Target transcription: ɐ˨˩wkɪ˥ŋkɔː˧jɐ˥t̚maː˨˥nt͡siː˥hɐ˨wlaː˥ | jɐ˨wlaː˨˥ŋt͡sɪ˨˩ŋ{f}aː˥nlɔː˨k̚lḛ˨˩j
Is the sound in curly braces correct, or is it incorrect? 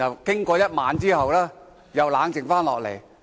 correct